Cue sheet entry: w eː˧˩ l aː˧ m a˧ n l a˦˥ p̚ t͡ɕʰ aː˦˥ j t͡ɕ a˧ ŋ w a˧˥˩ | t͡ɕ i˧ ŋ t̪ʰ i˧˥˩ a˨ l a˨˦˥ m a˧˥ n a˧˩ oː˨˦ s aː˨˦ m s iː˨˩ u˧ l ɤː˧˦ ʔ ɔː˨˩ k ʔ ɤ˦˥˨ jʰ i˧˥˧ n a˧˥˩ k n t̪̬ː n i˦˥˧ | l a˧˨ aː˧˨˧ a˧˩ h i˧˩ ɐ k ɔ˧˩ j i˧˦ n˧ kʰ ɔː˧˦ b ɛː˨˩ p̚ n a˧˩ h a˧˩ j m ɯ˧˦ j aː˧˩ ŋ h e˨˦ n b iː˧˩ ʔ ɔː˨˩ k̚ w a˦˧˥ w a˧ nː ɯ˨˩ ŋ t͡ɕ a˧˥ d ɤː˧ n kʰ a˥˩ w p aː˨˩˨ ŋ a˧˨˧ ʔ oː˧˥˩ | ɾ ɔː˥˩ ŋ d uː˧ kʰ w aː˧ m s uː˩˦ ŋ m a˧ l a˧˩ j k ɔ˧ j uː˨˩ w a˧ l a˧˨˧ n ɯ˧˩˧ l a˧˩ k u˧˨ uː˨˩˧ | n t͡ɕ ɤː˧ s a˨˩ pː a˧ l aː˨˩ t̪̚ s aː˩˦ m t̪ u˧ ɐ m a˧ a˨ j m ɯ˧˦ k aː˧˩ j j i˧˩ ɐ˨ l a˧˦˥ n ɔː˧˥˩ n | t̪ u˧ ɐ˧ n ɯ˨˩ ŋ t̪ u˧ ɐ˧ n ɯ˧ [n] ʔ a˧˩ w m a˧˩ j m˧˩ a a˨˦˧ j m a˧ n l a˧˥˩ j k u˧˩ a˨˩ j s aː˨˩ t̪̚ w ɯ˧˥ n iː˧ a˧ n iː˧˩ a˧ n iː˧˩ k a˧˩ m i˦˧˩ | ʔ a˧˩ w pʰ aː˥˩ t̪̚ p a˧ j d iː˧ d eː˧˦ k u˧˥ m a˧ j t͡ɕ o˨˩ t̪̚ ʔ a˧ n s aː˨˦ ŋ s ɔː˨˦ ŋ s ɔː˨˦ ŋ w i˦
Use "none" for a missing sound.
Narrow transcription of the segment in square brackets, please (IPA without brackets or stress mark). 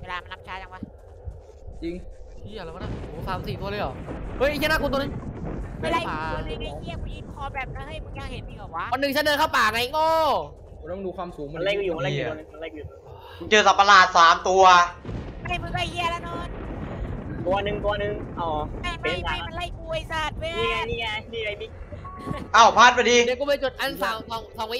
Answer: ŋ